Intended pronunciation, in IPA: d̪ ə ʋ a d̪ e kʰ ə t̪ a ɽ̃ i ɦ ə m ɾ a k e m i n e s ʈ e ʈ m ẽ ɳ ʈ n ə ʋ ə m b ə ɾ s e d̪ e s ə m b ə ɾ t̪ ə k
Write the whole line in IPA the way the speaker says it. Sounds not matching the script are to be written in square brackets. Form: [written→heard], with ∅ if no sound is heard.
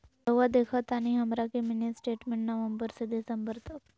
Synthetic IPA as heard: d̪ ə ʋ a d̪ e kʰ ə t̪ a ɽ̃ i ɦ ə m ɾ a k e m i n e s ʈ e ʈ m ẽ ɳ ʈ n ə ʋ ə m b ə ɾ s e d̪ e s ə m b ə ɾ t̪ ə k